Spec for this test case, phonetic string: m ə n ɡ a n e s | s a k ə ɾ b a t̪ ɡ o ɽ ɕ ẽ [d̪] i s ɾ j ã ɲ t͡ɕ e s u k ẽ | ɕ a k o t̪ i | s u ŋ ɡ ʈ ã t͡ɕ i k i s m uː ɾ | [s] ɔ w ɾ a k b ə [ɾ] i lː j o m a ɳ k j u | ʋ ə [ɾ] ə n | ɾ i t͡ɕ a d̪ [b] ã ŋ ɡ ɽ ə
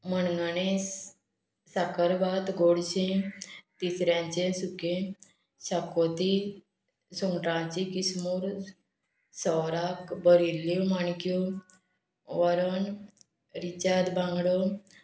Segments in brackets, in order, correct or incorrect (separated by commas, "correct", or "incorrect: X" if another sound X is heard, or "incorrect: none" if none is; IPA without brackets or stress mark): incorrect: t̪, correct, correct, correct, correct